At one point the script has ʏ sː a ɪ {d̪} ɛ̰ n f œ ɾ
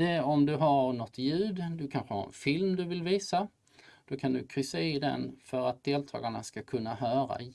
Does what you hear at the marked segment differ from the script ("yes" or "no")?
no